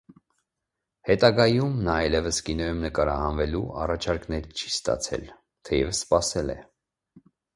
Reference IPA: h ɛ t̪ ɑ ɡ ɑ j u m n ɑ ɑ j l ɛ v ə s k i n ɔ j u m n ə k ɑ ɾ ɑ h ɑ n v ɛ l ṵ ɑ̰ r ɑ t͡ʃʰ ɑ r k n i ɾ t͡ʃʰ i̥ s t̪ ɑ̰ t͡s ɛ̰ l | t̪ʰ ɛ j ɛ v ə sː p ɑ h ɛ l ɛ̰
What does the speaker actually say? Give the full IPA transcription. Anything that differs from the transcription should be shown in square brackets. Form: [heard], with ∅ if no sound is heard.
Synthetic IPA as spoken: h ɛ t̪ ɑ ɡ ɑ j u m n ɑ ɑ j l ɛ v ə s k i n ɔ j u m n ə k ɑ ɾ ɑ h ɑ n v ɛ l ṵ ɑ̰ r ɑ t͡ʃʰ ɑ [ɾ] k n [ɛ] ɾ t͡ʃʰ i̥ s t̪ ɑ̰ [t͡sʰ] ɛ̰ l | t̪ʰ ɛ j ɛ v ə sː p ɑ [s] ɛ l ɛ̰